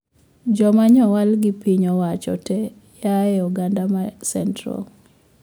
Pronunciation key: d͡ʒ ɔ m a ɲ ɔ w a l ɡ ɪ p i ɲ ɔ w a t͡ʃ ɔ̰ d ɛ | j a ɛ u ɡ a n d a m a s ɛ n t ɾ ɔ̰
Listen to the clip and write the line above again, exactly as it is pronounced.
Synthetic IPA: d͡ʒ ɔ m a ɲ ɔ w a l ɡ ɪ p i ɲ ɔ w a t͡ʃ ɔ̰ t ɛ | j a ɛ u ɡ a n d a m a s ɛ n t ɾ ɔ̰

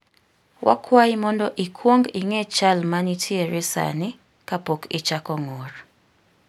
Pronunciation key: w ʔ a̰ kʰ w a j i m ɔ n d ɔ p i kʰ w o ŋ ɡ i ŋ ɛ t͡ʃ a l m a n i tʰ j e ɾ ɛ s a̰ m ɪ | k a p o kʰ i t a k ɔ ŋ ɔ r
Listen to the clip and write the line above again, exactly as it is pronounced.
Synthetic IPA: w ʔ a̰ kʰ w a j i m ɔ n d ɔ ʔ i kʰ w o ŋ ɡ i ŋ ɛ t͡ʃ a l m a n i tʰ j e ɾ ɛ s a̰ n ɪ | k a p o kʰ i t͡ʃ a k ɔ ŋ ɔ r

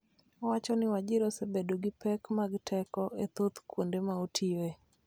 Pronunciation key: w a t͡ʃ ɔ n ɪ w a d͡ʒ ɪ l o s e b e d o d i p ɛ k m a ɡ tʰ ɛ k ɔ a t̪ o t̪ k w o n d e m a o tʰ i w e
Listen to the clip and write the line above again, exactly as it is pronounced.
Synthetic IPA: w a t͡ʃ ɔ n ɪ w a d͡ʒ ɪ ɾ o s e b e d o ɡ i p ɛ k m a ɡ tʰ ɛ k ɔ e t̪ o t̪ k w o n d e m a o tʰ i w e

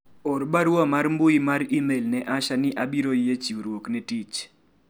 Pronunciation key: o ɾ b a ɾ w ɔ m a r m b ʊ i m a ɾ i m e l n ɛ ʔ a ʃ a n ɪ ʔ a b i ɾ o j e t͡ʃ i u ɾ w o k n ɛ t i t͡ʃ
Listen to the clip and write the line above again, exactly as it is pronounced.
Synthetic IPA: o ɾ b a ɾ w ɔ m a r m b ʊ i m a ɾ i m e l n ɛ ʔ a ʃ a n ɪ ʔ a b i ɾ o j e t͡ʃ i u ɾ w o k n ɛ t i t͡ʃ

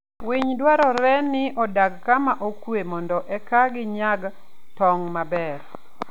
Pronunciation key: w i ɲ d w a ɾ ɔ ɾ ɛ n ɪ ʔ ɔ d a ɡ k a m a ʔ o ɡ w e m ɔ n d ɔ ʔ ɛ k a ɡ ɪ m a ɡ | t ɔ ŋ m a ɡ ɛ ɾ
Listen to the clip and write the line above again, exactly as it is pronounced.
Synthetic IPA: w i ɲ d w a ɾ ɔ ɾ ɛ n ɪ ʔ ɔ d a ɡ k a m a ʔ o k w e m ɔ n d ɔ ʔ ɛ k a ɡ ɪ ɲ a ɡ | t ɔ ŋ m a b ɛ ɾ

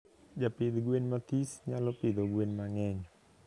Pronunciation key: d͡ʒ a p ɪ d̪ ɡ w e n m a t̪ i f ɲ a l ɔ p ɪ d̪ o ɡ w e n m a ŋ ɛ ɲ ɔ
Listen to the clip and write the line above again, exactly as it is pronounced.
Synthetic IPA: d͡ʒ a p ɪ d̪ ɡ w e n m a t̪ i s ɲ a l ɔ p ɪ d̪ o ɡ w e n m a ŋ ɛ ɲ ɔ

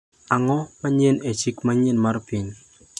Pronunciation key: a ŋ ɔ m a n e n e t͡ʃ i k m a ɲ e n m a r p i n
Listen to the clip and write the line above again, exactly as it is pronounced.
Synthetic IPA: a ŋ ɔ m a ɲ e n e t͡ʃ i k m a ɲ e n m a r p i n

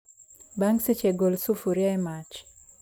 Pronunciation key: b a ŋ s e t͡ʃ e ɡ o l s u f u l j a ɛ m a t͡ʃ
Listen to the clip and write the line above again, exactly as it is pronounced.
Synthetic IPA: b a ŋ s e t͡ʃ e ɡ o l s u f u ɾ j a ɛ m a t͡ʃ

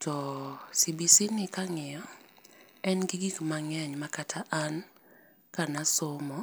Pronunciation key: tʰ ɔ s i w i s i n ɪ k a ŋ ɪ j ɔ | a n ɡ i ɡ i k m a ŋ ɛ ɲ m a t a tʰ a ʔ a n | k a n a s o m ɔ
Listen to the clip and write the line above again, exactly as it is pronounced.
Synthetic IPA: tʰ ɔ s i b i s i n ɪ k a ŋ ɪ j ɔ | ɛ n ɡ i ɡ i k m a ŋ ɛ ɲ m a k a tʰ a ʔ a n | k a n a s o m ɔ

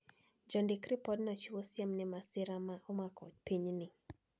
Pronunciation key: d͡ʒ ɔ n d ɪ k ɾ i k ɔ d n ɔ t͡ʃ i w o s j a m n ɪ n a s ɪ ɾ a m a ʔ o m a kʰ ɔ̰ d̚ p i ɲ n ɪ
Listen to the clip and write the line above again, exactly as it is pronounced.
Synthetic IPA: d͡ʒ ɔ n d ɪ k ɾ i p ɔ d n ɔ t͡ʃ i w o s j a m n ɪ m a s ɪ ɾ a m a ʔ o m a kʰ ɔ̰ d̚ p i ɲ n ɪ

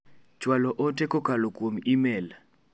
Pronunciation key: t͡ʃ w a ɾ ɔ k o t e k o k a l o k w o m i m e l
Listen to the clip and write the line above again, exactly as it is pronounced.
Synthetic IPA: t͡ʃ w a l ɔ ʔ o t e k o k a l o k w o m i m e l

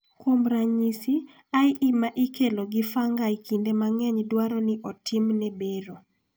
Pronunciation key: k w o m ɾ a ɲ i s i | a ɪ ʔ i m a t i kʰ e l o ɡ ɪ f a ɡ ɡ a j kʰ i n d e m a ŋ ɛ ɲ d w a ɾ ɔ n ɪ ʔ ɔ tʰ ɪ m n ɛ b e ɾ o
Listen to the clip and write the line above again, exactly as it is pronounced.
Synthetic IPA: k w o m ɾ a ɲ i s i | a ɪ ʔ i m a ʔ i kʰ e l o ɡ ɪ f a ŋ ɡ a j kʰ i n d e m a ŋ ɛ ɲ d w a ɾ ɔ n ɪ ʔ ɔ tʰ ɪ m n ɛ b e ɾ o

